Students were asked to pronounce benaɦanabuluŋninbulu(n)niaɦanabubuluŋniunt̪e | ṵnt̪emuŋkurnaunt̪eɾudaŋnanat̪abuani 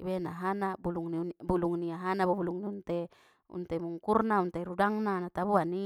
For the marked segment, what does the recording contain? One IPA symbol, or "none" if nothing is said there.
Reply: ŋ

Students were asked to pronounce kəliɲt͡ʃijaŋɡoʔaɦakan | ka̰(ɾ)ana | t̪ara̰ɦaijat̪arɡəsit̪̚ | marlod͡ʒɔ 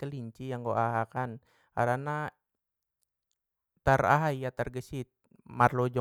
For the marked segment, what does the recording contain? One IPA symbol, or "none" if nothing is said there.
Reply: ɾ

